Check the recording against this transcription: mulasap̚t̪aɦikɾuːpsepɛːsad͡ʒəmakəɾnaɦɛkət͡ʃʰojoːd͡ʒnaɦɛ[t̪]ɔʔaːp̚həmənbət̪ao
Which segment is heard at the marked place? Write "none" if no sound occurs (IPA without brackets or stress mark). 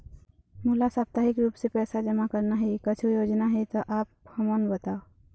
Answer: t̪